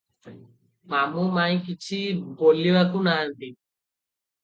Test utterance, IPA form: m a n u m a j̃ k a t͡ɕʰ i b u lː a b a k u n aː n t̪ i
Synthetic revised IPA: m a m u m a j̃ k i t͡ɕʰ i b o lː i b a k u n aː n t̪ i